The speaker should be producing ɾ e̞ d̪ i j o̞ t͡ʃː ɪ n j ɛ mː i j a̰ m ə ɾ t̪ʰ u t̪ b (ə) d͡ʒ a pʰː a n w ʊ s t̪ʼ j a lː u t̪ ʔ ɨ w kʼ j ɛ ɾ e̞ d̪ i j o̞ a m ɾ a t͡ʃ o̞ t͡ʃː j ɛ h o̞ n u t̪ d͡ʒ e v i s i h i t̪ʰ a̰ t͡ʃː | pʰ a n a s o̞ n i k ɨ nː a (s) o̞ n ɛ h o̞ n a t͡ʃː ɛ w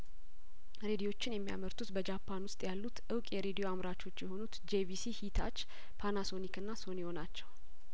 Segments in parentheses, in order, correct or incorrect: correct, correct

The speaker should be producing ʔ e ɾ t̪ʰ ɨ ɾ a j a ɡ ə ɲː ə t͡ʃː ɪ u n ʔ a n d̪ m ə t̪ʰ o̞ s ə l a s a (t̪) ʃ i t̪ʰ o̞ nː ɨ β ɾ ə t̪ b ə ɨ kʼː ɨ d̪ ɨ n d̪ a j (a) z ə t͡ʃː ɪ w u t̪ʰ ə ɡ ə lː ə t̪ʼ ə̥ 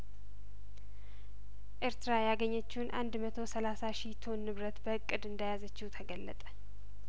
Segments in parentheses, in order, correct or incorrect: incorrect, correct

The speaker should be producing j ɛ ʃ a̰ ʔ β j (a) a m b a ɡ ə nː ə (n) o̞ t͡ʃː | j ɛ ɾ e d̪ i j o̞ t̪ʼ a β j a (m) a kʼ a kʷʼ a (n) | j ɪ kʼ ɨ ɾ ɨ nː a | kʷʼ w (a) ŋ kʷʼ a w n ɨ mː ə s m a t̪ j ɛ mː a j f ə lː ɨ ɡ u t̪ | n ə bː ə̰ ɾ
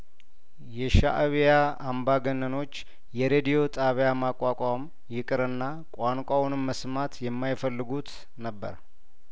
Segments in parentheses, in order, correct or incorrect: correct, correct, correct, incorrect, correct

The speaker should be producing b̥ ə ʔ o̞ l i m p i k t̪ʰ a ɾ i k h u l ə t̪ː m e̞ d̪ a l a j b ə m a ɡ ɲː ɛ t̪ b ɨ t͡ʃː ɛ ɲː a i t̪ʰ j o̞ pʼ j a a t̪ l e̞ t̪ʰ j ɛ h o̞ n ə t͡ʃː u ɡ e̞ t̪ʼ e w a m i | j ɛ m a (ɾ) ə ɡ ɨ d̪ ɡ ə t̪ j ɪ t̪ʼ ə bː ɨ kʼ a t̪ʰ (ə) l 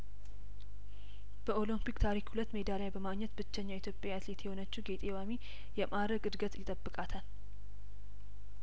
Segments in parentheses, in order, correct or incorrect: correct, incorrect

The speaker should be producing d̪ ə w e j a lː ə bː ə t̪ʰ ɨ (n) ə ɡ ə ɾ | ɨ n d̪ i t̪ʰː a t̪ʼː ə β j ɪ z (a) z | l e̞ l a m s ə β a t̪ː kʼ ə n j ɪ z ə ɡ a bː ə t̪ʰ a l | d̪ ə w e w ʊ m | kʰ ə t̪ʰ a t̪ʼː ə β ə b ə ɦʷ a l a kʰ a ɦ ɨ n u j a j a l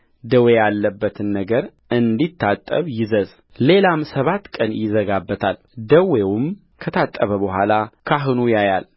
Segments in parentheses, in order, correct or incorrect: incorrect, incorrect

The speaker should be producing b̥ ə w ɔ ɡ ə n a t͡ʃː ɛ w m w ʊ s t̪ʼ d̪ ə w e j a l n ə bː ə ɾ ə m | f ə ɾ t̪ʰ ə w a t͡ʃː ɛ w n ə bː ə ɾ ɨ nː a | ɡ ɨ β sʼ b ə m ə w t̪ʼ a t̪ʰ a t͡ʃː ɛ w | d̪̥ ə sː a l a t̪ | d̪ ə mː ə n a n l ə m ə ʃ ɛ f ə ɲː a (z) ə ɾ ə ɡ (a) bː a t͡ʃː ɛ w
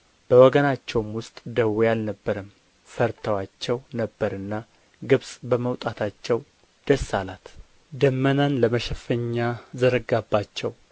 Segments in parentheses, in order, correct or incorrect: correct, correct

